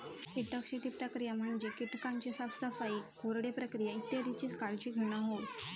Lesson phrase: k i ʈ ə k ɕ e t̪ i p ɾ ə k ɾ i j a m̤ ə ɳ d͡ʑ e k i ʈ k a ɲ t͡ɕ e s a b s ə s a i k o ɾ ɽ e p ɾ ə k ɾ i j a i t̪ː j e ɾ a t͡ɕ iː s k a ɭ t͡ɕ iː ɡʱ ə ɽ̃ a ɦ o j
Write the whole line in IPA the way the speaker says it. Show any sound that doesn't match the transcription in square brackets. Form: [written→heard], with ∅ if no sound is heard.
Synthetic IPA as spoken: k i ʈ ə k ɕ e t̪ i p ɾ ə k ɾ i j a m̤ ə ɳ d͡ʑ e k i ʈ k a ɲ t͡ɕ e s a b s ə [s→f] a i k o ɾ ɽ e p ɾ ə k ɾ i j a i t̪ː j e ɾ [a→i] t͡ɕ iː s k a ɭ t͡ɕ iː ɡʱ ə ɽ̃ a ɦ o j